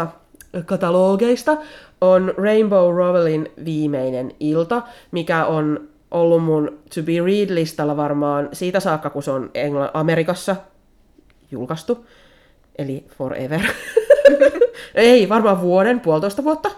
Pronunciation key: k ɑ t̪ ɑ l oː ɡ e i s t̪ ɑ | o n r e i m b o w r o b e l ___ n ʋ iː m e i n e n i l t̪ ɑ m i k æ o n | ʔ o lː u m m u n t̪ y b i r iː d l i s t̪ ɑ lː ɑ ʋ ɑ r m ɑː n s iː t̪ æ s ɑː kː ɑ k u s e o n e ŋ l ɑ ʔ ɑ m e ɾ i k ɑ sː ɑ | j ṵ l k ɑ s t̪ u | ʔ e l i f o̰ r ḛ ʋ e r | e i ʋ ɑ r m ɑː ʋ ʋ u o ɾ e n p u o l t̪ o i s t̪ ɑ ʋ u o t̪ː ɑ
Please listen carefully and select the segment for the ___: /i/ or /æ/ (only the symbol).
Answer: i